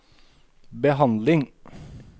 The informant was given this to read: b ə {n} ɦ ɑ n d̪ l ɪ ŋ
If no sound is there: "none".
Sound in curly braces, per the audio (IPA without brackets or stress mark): none